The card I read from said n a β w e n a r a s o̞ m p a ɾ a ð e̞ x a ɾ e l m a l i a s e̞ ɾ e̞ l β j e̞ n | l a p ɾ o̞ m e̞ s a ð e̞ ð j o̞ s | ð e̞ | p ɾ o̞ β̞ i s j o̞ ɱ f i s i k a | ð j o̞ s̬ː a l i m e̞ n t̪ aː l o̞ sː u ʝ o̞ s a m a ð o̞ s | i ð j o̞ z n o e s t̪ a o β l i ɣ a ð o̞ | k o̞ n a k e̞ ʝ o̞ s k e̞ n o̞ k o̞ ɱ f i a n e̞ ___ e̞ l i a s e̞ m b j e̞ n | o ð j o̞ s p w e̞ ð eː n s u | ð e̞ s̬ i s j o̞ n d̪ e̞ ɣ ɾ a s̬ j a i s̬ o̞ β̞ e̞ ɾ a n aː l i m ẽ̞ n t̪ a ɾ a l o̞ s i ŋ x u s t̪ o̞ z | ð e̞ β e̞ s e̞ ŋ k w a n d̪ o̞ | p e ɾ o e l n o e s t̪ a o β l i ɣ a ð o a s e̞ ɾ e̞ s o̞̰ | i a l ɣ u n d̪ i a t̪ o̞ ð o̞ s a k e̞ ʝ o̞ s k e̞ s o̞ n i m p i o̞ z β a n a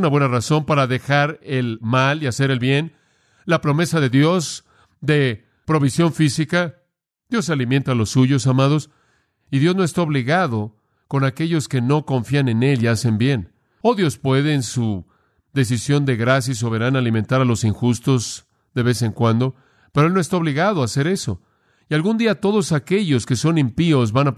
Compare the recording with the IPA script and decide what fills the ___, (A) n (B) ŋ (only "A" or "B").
A